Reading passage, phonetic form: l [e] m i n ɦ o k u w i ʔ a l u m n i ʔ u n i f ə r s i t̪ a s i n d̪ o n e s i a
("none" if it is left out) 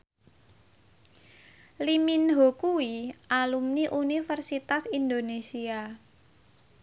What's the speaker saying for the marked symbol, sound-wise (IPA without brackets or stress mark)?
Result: i